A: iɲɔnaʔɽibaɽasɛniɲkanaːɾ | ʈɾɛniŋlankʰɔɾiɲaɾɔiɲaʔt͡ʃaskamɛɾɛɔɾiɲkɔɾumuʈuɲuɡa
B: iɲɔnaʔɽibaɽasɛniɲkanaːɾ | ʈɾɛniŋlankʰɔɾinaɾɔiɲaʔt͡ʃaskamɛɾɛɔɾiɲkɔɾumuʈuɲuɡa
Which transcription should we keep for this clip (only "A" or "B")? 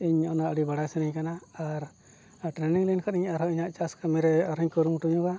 A